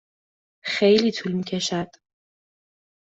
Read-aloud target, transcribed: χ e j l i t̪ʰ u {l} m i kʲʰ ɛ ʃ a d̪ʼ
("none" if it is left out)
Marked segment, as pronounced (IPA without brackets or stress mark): l